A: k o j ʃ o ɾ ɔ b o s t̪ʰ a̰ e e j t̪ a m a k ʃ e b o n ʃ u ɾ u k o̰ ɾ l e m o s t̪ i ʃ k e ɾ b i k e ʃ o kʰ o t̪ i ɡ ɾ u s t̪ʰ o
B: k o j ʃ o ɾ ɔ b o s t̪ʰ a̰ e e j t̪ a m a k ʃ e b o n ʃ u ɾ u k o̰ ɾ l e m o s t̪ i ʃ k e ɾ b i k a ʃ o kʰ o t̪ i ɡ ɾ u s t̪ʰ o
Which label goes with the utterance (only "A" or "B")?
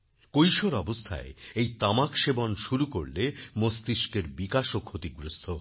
B